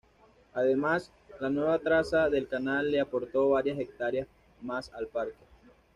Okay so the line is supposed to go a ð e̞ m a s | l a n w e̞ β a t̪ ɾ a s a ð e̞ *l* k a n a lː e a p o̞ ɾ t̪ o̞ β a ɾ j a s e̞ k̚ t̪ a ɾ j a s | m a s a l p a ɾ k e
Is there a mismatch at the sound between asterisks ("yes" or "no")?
no